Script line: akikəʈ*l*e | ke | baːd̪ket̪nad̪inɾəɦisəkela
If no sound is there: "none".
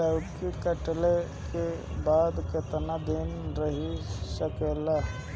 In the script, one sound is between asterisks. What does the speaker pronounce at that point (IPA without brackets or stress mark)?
l